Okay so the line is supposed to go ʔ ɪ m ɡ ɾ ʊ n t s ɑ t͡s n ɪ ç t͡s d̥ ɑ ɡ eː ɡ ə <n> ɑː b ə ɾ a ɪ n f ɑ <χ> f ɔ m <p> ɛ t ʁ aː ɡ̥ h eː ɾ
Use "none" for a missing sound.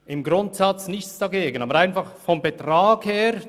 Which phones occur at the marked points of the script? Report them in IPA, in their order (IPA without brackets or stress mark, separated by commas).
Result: n, χ, b